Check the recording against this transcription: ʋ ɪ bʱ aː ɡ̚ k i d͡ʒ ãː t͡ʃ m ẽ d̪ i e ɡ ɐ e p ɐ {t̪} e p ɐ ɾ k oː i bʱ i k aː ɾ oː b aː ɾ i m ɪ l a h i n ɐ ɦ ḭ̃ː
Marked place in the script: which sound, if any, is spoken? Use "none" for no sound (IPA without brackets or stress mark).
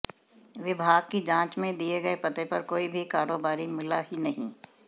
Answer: t̪